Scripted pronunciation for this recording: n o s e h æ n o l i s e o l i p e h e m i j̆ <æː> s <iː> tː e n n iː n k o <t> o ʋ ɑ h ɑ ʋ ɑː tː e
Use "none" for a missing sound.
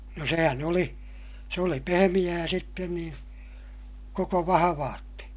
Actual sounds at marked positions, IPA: æː, i, k

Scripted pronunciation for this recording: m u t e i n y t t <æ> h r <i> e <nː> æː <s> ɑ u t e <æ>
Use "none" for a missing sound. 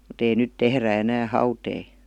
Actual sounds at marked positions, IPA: e, æ, n, h, i

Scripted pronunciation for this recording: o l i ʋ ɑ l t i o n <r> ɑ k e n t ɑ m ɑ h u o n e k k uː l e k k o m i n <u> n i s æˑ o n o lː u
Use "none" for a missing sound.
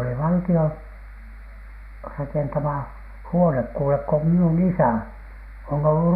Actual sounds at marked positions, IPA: r, u

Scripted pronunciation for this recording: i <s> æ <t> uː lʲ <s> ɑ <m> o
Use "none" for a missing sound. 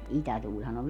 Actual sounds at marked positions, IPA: t, t, h, n

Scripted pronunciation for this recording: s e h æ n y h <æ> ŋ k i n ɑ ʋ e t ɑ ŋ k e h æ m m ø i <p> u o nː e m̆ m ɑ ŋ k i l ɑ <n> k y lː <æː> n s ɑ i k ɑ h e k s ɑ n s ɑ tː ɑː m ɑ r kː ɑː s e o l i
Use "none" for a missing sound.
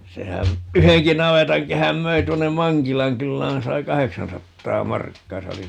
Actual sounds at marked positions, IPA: e, t, ŋ, æː

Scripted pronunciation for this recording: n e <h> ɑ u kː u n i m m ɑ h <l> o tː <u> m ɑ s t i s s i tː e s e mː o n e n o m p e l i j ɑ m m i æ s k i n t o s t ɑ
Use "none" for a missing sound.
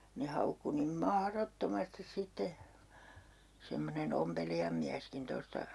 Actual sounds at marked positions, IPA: h, r, o

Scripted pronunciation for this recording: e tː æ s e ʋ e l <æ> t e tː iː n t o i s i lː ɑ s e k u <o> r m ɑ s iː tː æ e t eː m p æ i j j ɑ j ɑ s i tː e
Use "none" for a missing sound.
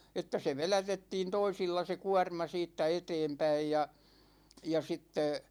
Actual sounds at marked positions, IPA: æ, ɒ

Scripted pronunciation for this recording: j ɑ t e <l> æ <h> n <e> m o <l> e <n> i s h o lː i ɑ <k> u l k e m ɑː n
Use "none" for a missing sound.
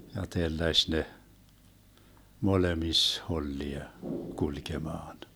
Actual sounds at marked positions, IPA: lː, ʃ, e, l, m, k

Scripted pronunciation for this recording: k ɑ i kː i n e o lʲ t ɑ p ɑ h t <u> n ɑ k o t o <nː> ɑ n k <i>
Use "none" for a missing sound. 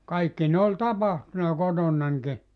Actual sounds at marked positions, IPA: u, nː, i

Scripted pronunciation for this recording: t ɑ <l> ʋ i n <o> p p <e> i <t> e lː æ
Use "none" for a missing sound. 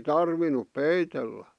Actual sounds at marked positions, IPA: r, u, e, t

